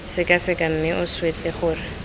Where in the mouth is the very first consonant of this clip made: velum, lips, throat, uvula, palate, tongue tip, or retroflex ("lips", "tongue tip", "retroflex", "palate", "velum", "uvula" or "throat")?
tongue tip